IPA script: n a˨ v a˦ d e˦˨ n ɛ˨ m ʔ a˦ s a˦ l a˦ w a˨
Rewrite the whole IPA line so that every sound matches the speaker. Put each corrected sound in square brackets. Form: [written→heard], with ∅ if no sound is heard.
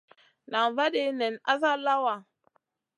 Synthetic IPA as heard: n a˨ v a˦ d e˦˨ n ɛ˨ [m→n] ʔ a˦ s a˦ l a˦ w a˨